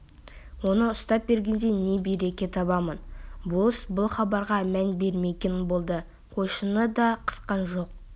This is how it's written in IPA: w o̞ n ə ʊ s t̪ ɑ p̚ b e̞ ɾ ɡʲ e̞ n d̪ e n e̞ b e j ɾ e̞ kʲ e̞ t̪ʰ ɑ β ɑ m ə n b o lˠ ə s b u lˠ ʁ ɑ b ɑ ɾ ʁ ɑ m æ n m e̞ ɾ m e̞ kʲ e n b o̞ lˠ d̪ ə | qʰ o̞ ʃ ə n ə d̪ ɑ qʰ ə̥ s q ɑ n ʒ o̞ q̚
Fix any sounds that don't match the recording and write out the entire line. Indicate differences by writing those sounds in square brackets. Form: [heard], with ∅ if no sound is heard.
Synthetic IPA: w o̞ n ə ʊ s t̪ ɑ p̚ b e̞ ɾ ɡʲ e̞ n d̪ e n e̞ b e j ɾ e̞ kʲ e̞ t̪ʰ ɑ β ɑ m ə n b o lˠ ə s b [ʊ] lˠ [χ] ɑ b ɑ ɾ ʁ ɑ m æ n [b] e̞ ɾ m e̞ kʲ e n b o̞ lˠ d̪ ə | qʰ o̞ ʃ ə n ə d̪ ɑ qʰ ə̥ s q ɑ n ʒ o̞ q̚